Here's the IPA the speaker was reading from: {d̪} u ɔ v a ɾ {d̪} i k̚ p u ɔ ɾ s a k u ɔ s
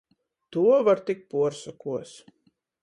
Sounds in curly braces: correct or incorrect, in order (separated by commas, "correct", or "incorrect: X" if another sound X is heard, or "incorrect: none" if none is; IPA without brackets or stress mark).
incorrect: t̪, incorrect: t̪